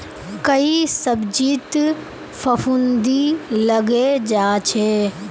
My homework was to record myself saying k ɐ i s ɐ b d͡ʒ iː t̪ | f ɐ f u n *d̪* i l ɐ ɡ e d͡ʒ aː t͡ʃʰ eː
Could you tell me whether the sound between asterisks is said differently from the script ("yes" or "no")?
no